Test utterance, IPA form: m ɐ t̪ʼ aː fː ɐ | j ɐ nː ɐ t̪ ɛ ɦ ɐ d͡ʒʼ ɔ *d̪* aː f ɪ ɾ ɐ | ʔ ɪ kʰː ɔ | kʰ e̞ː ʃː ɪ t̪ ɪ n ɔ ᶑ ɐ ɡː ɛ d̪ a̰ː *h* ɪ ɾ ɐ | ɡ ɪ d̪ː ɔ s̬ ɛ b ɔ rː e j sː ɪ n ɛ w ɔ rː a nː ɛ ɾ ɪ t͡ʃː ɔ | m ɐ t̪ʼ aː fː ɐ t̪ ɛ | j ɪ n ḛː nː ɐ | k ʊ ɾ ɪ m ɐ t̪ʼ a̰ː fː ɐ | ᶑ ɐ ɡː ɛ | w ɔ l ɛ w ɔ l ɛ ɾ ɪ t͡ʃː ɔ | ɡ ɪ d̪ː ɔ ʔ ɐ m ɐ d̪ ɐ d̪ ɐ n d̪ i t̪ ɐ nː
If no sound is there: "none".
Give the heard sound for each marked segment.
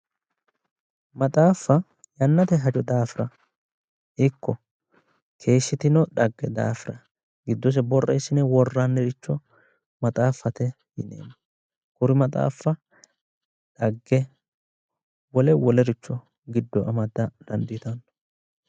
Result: d̪, f

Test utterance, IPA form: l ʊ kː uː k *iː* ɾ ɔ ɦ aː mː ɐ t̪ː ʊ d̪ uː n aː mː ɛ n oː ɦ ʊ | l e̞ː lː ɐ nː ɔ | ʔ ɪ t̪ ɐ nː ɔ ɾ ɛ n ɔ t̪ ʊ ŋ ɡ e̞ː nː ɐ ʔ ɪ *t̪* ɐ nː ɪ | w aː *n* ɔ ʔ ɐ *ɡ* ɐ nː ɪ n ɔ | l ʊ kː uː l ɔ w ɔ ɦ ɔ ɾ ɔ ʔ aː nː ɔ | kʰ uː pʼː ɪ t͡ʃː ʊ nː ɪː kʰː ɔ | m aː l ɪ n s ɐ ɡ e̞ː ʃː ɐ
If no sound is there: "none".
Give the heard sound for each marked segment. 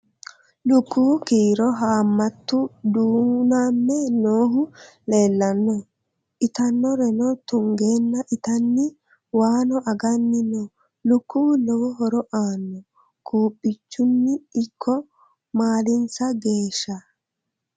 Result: iː, t̪, n, ɡ

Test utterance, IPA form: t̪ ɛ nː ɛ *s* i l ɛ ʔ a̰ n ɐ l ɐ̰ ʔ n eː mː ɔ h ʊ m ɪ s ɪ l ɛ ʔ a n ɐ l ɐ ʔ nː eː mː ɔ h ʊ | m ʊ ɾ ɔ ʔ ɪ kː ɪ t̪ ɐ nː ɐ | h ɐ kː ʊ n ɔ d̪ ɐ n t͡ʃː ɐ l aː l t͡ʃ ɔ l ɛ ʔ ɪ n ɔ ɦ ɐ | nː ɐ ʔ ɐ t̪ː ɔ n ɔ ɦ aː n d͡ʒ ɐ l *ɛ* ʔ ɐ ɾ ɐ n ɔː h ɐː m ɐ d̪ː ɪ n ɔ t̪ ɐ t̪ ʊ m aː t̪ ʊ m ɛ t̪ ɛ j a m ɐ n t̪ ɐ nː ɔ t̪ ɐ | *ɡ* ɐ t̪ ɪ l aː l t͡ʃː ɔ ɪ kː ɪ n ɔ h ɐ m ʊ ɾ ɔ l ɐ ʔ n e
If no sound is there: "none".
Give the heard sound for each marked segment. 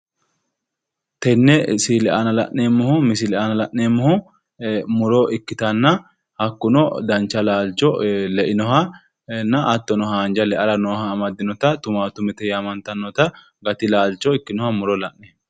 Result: s, ɛ, ɡ

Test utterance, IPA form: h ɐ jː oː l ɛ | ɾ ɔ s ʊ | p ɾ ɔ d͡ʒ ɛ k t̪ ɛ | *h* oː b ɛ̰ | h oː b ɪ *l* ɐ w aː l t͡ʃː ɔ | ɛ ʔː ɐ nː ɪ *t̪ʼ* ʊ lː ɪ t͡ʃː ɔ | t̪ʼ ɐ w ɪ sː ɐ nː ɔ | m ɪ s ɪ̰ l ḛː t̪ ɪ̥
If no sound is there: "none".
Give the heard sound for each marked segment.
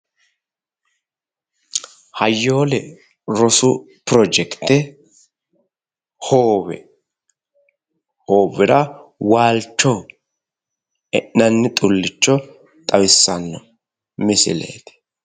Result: h, ɾ, t̪ʼ

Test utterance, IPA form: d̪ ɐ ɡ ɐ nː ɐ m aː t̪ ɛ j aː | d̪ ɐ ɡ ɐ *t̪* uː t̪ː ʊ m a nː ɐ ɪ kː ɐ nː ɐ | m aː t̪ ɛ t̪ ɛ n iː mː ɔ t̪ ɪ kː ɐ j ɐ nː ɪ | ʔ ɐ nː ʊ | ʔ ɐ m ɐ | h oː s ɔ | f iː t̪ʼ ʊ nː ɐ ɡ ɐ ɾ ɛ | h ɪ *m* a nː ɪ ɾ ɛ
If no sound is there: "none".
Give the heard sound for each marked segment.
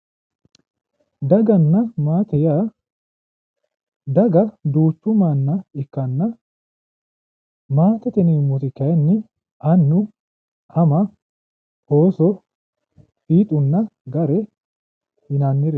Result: d̪, n

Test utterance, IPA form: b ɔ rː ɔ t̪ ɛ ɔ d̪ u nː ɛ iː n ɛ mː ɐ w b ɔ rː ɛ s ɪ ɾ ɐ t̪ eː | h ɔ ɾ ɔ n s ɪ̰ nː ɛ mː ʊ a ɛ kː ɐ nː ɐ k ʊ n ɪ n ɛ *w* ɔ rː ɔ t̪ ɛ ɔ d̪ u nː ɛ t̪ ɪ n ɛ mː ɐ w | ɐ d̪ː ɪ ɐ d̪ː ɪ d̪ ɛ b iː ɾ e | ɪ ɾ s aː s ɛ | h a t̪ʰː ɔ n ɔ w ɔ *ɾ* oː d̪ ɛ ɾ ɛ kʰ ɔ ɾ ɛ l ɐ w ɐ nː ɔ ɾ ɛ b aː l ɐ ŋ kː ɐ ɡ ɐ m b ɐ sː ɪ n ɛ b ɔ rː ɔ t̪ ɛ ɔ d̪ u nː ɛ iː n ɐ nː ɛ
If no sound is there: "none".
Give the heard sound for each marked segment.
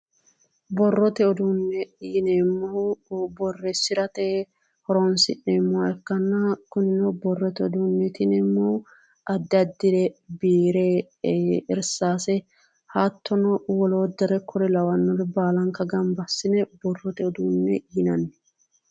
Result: b, l

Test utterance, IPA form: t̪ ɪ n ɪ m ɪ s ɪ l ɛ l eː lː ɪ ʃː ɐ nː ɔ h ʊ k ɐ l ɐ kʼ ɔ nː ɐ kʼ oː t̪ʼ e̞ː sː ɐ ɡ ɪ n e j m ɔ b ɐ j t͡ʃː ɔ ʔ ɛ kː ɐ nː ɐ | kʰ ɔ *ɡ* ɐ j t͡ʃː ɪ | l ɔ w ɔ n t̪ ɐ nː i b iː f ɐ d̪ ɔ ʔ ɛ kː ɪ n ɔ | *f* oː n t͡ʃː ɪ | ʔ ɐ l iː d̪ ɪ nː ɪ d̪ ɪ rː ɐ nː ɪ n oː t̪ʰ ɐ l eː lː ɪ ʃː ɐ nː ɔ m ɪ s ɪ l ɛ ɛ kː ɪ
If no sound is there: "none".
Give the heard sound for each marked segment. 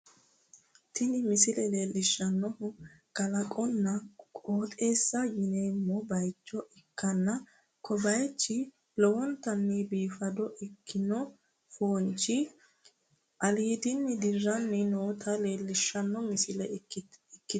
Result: b, f

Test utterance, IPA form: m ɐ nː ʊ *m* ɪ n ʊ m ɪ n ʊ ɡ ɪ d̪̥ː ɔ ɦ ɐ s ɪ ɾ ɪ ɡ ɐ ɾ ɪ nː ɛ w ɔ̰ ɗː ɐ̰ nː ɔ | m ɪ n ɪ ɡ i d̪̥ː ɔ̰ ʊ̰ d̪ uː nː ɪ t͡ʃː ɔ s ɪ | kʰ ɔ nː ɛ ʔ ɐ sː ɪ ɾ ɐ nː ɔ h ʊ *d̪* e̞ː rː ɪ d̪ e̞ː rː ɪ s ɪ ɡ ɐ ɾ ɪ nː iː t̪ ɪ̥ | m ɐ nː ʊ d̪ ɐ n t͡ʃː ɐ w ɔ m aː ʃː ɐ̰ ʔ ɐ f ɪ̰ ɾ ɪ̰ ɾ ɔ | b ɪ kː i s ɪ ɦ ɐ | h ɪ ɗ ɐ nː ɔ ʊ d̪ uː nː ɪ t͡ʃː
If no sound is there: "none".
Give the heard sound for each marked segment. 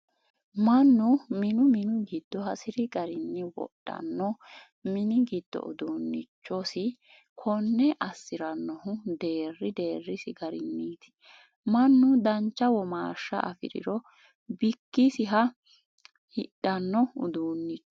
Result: m, d̪

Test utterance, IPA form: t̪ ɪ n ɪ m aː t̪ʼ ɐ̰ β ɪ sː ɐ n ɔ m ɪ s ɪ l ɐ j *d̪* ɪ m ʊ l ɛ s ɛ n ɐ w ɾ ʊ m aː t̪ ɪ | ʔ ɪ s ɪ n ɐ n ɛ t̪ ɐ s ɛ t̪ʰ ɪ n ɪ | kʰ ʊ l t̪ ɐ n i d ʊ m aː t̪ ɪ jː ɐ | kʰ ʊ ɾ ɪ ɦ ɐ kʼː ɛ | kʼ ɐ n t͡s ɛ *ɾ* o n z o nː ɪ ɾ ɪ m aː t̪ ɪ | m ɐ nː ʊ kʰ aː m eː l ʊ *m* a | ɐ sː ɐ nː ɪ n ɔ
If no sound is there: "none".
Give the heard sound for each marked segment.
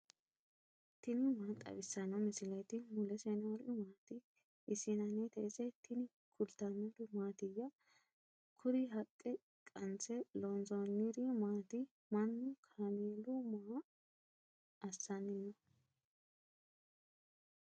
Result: t̪, l, m

